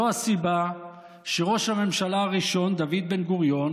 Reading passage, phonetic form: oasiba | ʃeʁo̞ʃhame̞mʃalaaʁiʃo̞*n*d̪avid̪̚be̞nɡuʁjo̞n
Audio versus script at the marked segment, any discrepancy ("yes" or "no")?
no